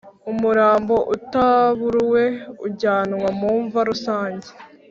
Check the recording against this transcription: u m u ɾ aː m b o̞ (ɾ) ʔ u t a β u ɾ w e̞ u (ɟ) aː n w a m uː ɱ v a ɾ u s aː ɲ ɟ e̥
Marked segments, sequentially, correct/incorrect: incorrect, correct

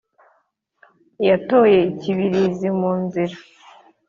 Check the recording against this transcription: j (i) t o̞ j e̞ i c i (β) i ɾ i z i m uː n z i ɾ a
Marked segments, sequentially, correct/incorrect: incorrect, correct

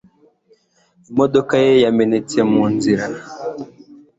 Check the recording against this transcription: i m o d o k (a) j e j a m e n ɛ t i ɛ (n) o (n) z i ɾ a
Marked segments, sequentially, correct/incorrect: correct, incorrect, correct

